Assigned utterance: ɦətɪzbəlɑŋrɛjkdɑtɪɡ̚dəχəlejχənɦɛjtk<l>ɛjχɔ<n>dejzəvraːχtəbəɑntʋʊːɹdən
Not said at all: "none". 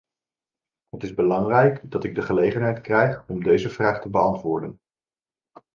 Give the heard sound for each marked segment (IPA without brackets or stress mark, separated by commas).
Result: r, m